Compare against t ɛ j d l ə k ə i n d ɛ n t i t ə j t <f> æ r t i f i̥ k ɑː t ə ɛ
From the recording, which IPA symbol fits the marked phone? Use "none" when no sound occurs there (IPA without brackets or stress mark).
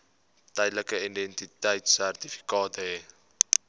s